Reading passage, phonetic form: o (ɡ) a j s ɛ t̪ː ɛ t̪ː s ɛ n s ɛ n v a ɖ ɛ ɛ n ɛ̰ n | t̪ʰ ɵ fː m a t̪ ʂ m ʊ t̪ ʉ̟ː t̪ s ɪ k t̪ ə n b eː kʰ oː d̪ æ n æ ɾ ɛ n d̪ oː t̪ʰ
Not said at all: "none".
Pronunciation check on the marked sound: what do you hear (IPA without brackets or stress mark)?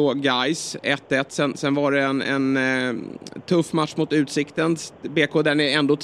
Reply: ɡ